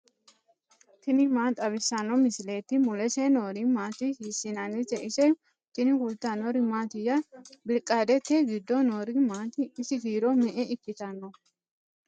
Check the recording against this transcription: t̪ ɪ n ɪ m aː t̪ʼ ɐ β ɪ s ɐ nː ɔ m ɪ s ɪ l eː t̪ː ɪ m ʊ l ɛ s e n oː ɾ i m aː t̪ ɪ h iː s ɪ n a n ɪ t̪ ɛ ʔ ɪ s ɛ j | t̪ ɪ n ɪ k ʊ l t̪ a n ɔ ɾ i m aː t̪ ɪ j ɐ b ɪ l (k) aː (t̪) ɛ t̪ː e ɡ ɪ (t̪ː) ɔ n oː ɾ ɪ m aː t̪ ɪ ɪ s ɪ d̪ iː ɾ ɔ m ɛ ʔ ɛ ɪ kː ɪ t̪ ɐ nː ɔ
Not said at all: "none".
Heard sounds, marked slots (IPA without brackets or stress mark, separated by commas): kʼ, d̪, d̪ː